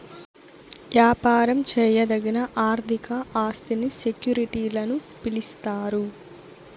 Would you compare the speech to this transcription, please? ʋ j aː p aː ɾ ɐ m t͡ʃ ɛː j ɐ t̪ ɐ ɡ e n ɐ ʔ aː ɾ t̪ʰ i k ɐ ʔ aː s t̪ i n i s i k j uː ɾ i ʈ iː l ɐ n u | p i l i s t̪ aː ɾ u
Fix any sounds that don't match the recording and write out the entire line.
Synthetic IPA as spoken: ʋ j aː p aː ɾ ɐ m t͡ʃ ɛː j ɐ d̪ ɐ ɡ i n ɐ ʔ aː ɾ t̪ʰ i k ɐ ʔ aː s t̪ i n i s e k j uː ɾ i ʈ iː l ɐ n u | p i l i s t̪ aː ɾ u